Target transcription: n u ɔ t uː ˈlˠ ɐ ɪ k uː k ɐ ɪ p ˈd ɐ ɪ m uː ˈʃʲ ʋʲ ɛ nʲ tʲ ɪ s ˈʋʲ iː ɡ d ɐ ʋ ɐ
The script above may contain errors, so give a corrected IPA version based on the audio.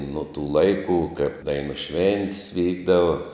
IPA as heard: n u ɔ t uː ˈlˠ ɐ ɪ k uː k ɐ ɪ p ˈd ɐ ɪ n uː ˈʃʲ ʋʲ ɛ nʲ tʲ ɪ s ˈʋʲ iː ɡ d ɐ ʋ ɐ